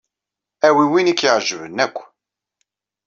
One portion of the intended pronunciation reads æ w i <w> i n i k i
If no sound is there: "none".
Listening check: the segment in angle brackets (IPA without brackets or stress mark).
w